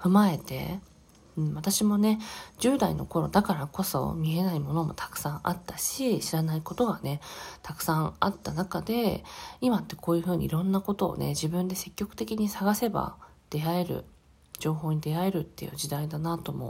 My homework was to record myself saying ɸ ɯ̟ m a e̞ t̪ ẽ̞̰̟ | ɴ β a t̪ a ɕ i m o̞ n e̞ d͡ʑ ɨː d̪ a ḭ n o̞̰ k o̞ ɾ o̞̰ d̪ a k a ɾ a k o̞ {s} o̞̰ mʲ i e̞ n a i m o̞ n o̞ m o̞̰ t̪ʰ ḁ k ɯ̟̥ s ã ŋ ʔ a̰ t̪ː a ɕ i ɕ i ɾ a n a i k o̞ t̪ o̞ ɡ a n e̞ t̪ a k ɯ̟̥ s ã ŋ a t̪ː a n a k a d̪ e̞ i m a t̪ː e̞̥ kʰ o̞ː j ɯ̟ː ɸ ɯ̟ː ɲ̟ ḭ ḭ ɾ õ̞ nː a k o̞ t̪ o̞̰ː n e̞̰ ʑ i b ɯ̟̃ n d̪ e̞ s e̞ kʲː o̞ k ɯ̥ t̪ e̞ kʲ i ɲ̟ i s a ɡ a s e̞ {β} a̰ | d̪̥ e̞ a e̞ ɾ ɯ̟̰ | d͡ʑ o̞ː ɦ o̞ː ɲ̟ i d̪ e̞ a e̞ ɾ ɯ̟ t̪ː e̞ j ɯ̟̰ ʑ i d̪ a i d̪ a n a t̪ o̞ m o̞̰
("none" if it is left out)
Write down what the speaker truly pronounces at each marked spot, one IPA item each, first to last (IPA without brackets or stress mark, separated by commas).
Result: s, b